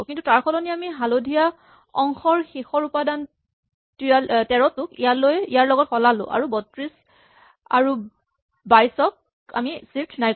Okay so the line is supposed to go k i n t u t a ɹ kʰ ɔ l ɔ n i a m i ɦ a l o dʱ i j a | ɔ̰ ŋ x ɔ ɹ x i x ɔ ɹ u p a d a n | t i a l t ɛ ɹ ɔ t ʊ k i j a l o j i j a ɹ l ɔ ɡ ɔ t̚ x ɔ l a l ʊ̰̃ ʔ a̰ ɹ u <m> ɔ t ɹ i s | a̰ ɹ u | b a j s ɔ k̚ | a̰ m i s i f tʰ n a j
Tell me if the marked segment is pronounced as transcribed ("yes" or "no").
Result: no